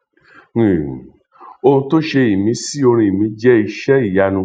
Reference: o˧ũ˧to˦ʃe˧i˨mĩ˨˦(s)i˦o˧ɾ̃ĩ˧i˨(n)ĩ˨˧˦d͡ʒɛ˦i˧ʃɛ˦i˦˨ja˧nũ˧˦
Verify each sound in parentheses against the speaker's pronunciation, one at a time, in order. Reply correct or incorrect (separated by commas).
correct, incorrect